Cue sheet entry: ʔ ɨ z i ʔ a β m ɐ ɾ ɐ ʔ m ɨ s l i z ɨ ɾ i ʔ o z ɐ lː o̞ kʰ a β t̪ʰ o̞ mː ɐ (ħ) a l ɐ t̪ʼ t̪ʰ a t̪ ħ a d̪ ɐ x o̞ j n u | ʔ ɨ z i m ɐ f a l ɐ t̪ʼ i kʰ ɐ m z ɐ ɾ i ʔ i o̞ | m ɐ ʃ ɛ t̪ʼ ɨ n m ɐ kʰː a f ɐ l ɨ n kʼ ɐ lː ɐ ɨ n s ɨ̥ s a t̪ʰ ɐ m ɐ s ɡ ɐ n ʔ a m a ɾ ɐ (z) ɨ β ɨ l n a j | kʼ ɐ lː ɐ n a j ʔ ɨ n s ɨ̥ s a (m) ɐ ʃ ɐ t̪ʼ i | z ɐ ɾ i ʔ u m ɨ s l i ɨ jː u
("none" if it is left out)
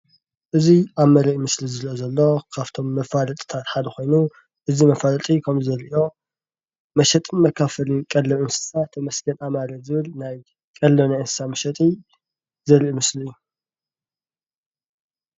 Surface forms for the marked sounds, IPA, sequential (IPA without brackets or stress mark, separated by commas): f, z, m